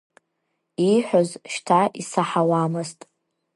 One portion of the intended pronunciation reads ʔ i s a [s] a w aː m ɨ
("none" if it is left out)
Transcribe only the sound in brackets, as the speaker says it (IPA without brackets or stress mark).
ħ